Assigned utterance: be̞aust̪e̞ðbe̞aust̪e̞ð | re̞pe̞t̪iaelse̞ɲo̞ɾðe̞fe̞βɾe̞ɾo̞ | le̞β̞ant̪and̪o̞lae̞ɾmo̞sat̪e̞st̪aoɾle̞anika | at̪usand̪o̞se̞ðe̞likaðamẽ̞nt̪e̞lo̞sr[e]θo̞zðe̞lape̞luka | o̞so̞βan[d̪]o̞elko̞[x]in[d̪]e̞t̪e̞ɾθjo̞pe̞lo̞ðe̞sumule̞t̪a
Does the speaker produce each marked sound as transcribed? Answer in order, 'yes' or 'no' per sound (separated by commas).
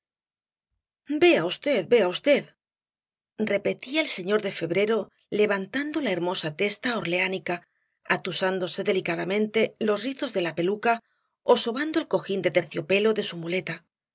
no, yes, yes, yes